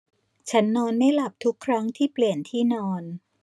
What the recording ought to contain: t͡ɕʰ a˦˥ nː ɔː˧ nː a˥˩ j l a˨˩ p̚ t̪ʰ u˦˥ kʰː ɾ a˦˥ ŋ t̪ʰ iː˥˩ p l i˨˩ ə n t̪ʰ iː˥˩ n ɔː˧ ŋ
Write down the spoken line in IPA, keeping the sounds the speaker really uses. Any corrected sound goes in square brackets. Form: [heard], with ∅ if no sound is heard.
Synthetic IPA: t͡ɕʰ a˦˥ nː ɔː˧ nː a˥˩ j l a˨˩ p̚ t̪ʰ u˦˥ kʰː ɾ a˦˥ ŋ t̪ʰ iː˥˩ p l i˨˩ ə n t̪ʰ iː˥˩ n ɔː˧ [n]